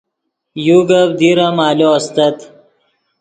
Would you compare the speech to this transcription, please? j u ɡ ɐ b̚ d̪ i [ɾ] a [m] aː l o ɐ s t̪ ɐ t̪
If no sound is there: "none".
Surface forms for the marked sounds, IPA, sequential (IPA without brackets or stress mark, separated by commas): ɾ, m